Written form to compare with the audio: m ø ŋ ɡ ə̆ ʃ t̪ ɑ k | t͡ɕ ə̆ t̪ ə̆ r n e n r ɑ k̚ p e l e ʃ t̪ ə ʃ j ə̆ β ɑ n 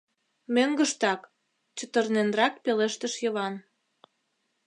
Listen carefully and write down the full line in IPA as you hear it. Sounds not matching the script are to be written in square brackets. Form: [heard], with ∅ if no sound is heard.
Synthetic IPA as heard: m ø ŋ ɡ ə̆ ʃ t̪ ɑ k | t͡ɕ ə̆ t̪ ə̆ r n e n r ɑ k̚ p e l e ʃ t̪ ə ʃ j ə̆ β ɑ n